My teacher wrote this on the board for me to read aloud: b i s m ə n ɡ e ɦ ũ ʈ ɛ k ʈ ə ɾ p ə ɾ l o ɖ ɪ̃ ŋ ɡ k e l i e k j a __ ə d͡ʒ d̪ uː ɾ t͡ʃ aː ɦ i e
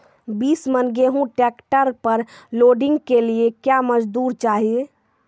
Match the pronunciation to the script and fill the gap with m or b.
m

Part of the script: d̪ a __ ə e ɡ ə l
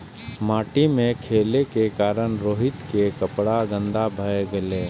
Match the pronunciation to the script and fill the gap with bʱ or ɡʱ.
bʱ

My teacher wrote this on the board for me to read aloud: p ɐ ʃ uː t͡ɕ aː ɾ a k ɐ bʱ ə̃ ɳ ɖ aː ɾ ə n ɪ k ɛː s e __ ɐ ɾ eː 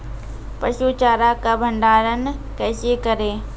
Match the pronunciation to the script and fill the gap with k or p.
k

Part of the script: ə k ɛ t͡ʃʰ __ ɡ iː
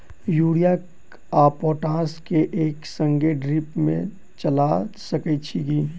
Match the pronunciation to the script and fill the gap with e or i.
i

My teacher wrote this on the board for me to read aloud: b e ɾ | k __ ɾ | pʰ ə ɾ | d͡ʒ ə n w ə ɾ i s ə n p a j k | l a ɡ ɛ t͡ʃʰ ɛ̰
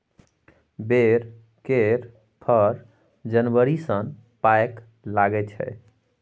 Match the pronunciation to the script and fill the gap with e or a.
e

